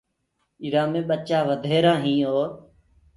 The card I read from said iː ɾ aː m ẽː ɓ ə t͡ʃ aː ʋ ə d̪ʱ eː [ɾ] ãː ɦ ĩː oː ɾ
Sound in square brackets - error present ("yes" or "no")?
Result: no